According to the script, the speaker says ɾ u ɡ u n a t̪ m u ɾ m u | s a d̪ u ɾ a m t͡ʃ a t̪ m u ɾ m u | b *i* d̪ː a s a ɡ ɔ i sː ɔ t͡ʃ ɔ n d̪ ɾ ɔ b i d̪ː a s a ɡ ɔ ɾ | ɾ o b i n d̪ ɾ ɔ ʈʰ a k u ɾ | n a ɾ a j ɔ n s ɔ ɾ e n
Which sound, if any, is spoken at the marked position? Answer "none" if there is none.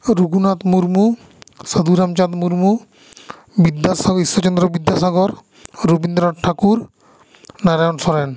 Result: i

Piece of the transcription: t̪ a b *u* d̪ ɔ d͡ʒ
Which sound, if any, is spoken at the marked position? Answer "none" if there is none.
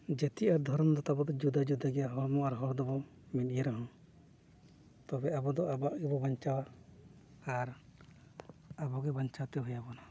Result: ɔ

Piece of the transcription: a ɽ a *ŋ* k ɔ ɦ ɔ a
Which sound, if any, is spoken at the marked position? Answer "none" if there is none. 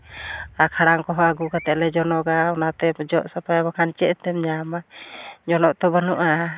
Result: ŋ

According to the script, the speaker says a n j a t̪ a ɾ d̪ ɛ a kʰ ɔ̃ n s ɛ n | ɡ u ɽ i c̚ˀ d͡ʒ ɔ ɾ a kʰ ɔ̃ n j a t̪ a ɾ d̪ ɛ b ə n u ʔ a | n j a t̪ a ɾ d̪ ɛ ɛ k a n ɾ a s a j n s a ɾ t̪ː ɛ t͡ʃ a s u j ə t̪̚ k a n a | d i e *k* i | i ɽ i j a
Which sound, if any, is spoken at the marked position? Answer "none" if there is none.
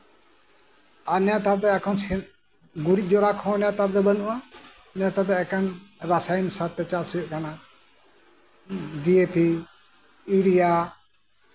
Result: p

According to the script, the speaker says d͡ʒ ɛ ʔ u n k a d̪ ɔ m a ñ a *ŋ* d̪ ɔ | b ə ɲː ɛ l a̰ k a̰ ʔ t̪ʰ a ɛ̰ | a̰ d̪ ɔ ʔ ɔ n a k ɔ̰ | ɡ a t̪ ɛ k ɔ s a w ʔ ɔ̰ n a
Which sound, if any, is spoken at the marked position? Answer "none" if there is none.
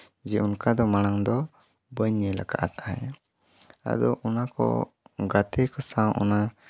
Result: ŋ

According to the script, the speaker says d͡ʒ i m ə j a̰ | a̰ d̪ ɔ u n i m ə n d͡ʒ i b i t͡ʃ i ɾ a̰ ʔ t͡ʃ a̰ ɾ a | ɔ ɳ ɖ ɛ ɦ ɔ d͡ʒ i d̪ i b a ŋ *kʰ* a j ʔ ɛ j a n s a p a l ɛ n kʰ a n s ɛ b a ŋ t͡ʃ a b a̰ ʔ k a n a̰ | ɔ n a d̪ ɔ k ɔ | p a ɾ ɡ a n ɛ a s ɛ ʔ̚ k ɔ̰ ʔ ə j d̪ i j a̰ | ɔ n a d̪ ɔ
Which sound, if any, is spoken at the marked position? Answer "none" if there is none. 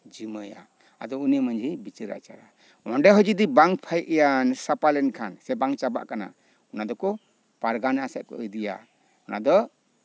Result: pʰ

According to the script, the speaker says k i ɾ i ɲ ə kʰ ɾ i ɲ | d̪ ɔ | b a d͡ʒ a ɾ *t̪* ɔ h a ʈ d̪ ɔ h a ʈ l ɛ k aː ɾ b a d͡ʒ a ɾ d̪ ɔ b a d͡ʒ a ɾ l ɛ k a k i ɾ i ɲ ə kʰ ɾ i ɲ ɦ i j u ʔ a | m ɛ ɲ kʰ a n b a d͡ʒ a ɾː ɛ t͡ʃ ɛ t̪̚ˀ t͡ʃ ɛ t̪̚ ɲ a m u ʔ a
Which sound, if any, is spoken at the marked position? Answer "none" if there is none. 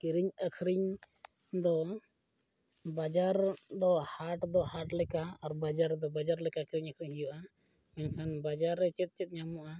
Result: d̪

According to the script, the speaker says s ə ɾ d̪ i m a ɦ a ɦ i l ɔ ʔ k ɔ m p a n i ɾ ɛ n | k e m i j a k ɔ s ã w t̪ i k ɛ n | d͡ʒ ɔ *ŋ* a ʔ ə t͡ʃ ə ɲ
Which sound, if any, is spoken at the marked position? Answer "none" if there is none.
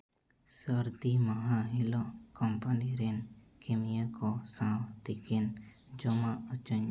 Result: m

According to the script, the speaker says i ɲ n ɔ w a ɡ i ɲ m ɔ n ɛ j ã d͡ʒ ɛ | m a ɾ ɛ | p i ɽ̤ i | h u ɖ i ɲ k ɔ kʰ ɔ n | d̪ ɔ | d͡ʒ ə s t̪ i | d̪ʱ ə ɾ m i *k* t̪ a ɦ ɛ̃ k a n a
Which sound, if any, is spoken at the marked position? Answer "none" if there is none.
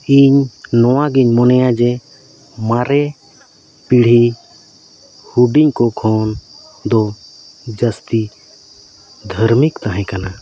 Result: k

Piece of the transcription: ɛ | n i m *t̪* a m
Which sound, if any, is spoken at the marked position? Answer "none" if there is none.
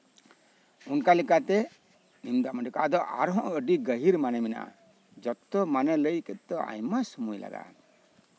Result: d̪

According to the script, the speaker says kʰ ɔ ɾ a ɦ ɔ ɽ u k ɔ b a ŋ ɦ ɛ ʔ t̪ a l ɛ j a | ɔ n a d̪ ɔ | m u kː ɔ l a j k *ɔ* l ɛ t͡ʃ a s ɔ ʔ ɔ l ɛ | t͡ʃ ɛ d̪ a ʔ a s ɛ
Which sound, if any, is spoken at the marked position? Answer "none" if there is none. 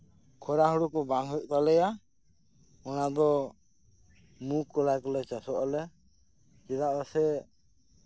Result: ɔ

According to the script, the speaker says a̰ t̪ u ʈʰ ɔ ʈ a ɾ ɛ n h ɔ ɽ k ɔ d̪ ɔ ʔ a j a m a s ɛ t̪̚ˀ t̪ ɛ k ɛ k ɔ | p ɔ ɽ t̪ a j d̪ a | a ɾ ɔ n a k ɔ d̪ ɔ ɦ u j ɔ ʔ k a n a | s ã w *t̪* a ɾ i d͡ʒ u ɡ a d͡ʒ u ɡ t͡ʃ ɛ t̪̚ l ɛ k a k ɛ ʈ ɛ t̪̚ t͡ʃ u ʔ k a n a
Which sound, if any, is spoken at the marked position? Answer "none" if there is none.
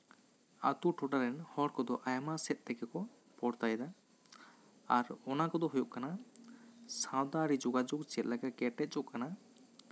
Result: d̪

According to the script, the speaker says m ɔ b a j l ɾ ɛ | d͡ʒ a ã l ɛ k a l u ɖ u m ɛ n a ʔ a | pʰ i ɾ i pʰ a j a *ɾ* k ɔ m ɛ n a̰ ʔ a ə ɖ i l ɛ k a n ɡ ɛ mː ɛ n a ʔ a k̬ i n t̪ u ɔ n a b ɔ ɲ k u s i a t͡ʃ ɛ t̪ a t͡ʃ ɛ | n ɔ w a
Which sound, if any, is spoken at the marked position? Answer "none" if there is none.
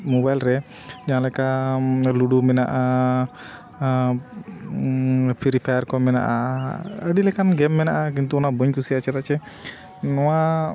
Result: ɾ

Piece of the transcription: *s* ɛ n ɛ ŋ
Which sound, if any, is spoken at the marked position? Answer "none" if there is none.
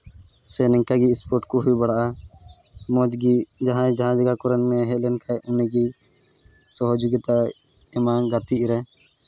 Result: s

